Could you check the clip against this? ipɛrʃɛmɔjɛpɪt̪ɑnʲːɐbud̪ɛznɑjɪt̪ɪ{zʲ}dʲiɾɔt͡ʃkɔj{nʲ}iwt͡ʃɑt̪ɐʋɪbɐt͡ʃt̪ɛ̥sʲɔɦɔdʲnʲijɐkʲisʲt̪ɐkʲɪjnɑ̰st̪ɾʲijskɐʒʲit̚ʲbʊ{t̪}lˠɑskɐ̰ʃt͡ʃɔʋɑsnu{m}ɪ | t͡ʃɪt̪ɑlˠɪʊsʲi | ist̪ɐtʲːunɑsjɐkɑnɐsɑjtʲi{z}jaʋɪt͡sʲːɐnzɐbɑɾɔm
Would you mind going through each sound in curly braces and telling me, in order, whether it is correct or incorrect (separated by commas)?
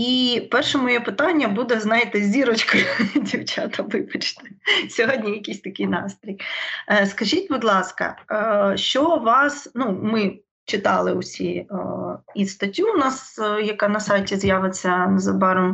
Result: correct, incorrect, incorrect, correct, correct